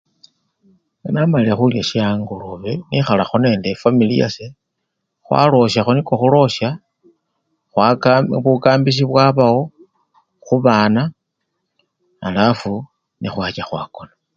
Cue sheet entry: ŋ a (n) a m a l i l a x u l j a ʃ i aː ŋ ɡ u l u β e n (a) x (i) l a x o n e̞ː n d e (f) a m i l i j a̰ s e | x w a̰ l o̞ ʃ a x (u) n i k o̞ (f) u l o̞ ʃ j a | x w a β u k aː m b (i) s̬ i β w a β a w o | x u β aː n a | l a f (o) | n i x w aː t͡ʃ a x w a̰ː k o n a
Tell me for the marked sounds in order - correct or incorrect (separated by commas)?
correct, incorrect, incorrect, correct, incorrect, incorrect, correct, incorrect